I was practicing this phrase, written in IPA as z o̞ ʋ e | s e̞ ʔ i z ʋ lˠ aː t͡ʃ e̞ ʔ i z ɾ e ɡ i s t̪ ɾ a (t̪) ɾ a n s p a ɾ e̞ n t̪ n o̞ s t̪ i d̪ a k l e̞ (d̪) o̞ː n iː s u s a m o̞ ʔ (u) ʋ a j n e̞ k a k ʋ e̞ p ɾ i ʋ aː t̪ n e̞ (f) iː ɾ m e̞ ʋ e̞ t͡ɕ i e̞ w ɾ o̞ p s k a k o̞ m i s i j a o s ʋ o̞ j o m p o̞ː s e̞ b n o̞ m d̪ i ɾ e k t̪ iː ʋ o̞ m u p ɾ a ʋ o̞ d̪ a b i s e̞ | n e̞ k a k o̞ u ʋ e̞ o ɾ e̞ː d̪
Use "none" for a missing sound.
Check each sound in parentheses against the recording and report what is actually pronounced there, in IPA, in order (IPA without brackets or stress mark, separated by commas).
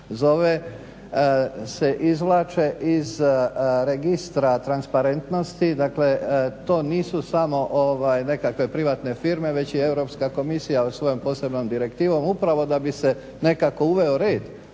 t̪, t̪, o, f